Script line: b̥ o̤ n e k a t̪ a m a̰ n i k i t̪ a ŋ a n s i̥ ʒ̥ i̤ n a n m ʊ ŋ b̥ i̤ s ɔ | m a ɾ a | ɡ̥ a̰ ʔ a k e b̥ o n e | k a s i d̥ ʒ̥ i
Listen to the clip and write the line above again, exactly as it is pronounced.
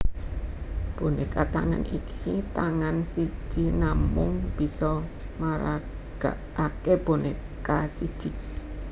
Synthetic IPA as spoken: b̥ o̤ n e k a t̪ a ŋ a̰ n i k i t̪ a ŋ a n s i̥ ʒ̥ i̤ n a m ʊ ŋ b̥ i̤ s ɔ | m a ɾ a | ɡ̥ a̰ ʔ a k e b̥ o n e | k a s i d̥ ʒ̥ i